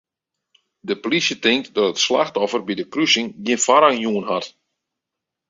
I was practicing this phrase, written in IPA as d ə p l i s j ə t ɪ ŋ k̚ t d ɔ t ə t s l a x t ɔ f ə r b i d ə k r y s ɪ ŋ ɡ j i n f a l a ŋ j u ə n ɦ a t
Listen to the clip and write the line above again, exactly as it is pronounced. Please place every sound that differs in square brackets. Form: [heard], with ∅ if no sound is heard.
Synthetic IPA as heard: d ə p l i s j ə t ɪ ŋ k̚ t d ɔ t ə t s l a x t ɔ f ə r b i d ə k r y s ɪ ŋ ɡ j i n f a [ɾ] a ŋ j u ə n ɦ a t